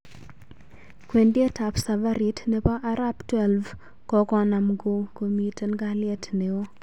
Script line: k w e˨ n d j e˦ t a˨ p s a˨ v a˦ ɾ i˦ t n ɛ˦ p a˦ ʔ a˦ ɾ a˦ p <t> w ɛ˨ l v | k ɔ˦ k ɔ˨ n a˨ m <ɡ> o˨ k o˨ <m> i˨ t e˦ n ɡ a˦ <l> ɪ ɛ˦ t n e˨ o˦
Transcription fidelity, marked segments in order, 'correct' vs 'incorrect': correct, correct, correct, correct

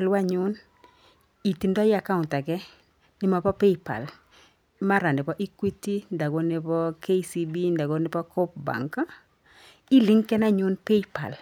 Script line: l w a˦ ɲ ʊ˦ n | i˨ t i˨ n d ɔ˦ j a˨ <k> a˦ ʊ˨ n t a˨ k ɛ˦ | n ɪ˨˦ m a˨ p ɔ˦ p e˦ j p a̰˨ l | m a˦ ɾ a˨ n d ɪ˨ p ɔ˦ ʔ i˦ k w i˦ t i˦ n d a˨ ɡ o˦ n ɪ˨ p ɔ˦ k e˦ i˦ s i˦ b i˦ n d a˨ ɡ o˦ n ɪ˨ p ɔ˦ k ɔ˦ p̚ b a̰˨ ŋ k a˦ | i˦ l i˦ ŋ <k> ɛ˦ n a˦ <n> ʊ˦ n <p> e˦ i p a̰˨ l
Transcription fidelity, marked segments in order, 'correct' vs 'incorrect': correct, correct, incorrect, correct

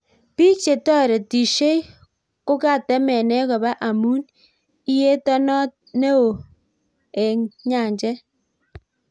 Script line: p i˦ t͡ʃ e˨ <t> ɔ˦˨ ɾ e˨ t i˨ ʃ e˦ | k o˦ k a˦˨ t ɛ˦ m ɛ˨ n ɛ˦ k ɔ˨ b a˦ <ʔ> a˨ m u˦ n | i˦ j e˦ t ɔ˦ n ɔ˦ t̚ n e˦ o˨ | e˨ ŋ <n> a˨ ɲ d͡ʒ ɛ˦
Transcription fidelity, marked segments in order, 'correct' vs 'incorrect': correct, correct, incorrect

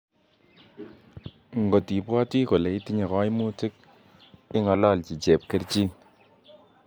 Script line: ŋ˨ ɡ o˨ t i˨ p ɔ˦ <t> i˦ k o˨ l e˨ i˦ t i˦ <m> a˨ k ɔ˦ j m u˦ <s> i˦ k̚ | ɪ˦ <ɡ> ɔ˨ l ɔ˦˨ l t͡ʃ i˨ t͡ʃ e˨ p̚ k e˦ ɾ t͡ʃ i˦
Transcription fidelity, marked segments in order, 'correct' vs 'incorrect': correct, incorrect, incorrect, incorrect

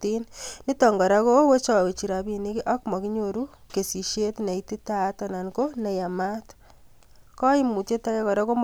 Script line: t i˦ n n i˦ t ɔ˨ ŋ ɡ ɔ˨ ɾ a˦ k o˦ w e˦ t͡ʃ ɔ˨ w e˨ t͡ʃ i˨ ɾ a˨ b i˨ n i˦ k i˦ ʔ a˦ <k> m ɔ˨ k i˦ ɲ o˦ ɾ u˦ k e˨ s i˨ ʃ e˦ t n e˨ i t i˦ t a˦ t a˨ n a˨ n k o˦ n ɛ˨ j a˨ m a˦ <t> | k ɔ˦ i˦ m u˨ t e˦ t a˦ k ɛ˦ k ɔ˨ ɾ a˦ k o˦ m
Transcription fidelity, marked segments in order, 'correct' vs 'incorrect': correct, correct

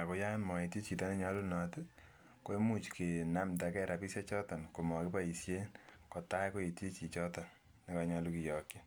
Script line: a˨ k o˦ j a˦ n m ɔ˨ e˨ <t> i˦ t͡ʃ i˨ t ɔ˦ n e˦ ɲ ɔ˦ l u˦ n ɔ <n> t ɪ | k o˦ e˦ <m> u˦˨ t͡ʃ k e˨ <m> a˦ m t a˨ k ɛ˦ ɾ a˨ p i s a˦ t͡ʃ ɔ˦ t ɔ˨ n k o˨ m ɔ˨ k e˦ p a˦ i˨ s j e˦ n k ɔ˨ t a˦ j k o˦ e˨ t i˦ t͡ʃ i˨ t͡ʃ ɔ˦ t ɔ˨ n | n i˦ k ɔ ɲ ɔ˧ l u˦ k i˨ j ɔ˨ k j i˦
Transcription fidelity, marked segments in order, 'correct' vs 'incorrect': correct, incorrect, correct, incorrect

